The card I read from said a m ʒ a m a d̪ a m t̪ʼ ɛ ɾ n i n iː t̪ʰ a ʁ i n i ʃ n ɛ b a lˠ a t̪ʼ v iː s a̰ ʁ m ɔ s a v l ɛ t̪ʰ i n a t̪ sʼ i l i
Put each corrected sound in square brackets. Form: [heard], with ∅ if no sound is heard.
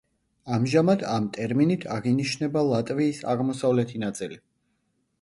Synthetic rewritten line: a m ʒ a m a d̪ a m t̪ʼ ɛ ɾ [m] i n [i] t̪ʰ a ʁ i n i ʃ n ɛ b a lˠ a t̪ʼ v iː s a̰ ʁ m ɔ s a v l ɛ t̪ʰ i n a t̪ sʼ i l i